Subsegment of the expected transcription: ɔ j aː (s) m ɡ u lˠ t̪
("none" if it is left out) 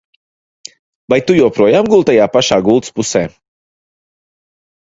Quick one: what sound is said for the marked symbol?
none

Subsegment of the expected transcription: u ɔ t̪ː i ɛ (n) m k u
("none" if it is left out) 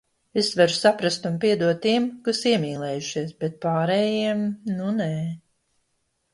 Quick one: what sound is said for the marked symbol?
none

